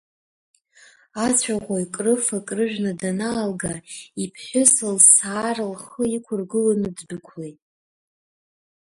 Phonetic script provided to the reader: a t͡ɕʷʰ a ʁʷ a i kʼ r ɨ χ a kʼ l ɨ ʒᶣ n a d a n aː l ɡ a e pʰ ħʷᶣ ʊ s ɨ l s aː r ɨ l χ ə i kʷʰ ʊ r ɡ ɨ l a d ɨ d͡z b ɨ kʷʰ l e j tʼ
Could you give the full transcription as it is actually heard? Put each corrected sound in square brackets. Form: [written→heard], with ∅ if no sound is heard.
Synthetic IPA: a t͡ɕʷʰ a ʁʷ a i kʼ r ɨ [χ→f] a kʼ [l→r] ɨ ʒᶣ n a d a n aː l ɡ a [e→i] pʰ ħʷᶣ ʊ s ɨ l s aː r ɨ l χ ə i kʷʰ ʊ r ɡ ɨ l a [d→n] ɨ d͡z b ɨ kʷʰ l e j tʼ